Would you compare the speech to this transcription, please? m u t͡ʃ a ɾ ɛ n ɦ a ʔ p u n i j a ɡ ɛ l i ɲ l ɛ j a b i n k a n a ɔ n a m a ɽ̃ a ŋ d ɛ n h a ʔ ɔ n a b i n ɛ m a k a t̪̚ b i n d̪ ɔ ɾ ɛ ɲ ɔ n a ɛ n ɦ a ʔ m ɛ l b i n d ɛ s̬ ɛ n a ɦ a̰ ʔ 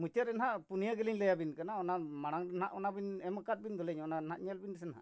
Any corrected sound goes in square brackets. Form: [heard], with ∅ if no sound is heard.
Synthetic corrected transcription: m u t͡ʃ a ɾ ɛ n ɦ a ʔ p u n i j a ɡ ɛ l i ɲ l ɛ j a b i n k a n a ɔ n a m a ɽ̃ a ŋ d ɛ n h a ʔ ɔ n a b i n ɛ m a k a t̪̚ b i n d̪ ɔ [l] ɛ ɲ ɔ n a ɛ n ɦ a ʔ [ɲ] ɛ l b i n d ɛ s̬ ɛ n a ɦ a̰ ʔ